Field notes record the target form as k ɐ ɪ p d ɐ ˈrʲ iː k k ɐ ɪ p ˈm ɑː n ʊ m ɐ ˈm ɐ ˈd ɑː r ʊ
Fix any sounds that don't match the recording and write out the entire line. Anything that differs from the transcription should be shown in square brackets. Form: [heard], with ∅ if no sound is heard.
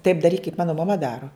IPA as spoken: [t] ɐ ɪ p d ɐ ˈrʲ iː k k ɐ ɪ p ˈm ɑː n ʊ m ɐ ˈm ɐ ˈd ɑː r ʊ